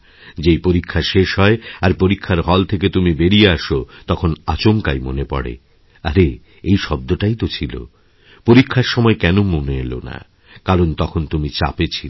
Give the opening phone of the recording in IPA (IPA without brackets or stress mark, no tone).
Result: d͡ʑ